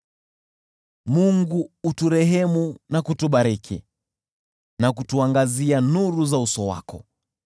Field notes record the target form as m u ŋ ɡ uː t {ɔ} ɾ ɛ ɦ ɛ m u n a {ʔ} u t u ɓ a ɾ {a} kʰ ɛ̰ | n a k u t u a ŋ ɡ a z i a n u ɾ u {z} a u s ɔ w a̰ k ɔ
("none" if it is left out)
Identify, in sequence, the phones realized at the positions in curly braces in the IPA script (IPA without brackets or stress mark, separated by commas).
u, k, ɛ, z